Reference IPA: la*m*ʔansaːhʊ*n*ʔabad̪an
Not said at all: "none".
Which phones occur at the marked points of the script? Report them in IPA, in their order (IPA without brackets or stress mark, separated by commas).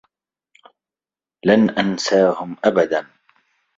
n, m